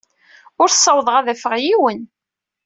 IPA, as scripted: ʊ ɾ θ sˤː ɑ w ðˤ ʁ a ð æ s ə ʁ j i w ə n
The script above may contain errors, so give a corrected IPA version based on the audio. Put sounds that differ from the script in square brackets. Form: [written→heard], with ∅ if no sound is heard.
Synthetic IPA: ʊ ɾ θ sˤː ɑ w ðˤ ʁ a ð æ [s→f] ə ʁ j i w ə n